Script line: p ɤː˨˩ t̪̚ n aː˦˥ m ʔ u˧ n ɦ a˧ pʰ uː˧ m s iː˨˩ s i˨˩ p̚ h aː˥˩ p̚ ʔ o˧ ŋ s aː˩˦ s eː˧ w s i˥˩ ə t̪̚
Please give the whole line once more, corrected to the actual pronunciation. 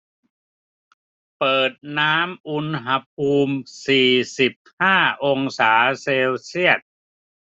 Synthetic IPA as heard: p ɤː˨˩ t̪̚ n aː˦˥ m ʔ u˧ n ɦ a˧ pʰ uː˧ m s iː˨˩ s i˨˩ p̚ h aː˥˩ ʔ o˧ ŋ s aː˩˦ s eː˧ w s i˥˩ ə t̪̚